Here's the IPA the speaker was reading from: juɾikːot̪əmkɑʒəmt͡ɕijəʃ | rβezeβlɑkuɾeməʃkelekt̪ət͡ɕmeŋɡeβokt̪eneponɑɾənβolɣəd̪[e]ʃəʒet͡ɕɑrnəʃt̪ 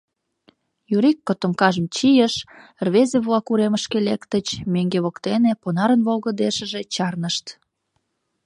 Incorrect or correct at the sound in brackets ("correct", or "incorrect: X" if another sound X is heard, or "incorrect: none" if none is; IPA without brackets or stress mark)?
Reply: correct